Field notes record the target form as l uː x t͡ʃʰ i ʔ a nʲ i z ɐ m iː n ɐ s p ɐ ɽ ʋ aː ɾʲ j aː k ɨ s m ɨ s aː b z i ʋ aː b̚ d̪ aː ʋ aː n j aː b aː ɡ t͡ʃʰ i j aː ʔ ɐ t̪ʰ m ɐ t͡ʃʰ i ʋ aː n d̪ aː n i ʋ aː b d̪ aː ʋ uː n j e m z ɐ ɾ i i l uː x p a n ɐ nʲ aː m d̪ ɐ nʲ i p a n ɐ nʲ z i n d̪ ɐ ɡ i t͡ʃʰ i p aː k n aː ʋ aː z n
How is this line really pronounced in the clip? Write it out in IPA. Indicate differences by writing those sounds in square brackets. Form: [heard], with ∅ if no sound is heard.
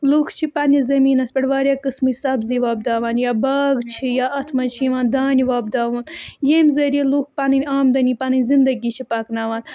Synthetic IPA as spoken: l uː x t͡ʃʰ i [p] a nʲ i z ɐ m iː n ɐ s p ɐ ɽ ʋ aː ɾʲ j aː k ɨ s m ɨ s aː b z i ʋ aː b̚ d̪ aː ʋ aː n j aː b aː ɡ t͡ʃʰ i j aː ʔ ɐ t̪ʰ m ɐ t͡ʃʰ i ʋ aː n d̪ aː n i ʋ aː b d̪ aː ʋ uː n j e m z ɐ ɾ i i l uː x p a n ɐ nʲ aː m d̪ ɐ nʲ i p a n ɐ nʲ z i n d̪ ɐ ɡ i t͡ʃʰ i p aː k n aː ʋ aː [∅] n